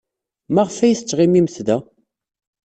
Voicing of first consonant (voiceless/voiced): voiced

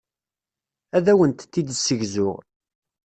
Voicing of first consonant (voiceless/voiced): voiced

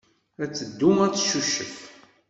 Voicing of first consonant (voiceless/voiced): voiceless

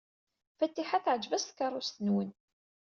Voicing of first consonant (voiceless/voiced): voiceless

